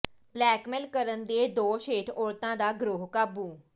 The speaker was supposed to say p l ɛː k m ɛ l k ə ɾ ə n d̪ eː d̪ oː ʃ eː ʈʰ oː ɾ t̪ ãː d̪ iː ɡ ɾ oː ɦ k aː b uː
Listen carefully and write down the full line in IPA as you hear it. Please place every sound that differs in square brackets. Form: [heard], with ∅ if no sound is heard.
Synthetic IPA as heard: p l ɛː k m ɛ l k ə ɾ ə n d̪ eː d̪ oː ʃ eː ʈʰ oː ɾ t̪ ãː d̪ [aː] ɡ ɾ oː ɦ k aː b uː